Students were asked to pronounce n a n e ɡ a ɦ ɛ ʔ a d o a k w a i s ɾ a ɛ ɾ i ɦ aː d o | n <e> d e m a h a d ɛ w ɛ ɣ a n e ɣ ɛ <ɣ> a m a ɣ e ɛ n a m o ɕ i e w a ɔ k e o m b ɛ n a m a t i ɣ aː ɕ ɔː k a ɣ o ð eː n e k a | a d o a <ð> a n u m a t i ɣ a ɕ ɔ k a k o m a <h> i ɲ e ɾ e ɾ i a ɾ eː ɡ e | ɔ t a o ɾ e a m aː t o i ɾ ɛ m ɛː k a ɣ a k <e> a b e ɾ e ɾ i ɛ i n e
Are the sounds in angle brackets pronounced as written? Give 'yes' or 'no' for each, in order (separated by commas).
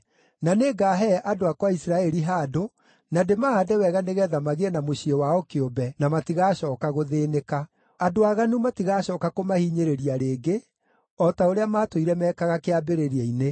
no, no, no, yes, yes